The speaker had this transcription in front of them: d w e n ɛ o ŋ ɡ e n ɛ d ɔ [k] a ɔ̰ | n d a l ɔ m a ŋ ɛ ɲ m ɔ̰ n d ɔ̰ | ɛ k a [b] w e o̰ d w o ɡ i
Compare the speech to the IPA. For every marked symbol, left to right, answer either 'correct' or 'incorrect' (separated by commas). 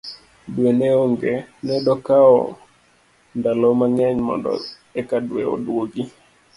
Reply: correct, incorrect